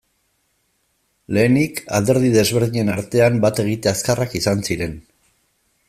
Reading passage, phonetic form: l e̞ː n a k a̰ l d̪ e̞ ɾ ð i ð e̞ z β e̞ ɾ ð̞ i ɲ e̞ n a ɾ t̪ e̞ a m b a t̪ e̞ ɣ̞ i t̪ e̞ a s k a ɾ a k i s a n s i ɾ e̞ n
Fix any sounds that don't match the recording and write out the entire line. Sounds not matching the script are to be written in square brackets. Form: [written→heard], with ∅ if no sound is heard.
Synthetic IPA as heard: l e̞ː n [a→i] k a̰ l d̪ e̞ ɾ ð i ð e̞ z β e̞ ɾ ð̞ i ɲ e̞ n a ɾ t̪ e̞ a m b a t̪ e̞ ɣ̞ i t̪ e̞ a s k a [ɾ→r] a k i s a n s i ɾ e̞ n